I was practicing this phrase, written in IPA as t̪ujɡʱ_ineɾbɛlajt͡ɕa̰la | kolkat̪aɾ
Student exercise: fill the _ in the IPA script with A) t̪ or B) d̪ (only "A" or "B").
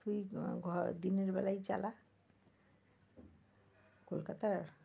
B